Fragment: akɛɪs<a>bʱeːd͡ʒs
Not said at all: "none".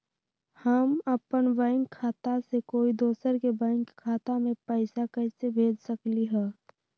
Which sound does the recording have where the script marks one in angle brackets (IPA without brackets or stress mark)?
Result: e